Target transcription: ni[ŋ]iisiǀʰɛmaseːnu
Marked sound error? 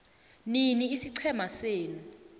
yes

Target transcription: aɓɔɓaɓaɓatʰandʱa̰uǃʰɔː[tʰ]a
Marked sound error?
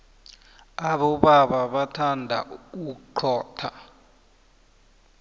no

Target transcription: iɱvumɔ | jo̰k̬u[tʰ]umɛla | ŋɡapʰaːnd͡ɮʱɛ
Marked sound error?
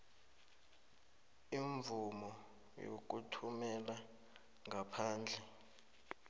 no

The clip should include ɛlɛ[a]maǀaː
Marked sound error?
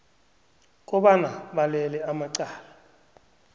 no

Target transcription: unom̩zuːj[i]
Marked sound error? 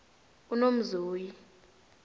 no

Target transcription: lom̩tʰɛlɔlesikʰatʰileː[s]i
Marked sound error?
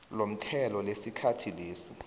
no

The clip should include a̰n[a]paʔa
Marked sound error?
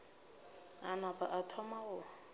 no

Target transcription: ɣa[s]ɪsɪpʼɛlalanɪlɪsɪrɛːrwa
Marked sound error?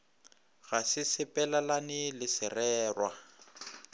no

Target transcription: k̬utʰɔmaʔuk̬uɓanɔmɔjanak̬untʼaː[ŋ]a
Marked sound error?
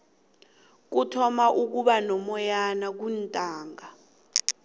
no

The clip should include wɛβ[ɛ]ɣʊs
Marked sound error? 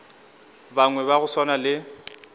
yes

